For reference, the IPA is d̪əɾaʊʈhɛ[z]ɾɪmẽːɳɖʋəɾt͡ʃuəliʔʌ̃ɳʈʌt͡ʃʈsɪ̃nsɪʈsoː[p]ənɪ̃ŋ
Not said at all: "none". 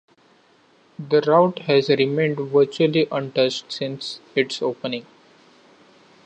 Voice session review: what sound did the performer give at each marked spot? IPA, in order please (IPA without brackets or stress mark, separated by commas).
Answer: z, p